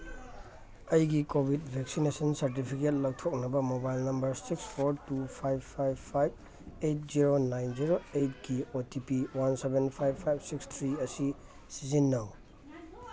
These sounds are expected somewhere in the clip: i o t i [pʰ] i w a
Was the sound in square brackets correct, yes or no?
no